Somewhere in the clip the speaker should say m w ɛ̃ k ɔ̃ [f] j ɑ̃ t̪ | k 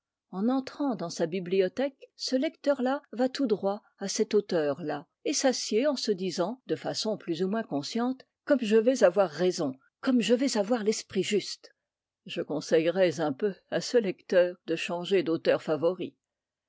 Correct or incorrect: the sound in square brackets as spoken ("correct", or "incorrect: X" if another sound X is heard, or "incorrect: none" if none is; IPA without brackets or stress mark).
incorrect: s